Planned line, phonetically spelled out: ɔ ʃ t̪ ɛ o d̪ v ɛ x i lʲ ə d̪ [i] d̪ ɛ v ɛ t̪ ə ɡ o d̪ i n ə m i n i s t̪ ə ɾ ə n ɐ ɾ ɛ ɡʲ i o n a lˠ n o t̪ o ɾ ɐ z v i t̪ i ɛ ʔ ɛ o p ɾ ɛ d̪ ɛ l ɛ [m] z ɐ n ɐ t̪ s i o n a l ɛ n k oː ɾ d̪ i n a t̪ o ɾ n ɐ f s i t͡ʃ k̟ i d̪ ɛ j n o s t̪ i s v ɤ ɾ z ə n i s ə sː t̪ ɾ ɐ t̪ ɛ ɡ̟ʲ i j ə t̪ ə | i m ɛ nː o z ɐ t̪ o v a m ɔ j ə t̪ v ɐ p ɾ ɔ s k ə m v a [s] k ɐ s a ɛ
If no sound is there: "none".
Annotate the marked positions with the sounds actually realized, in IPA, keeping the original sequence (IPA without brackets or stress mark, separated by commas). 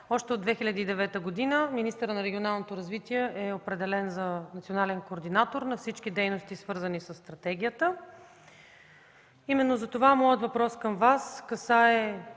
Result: iː, n, s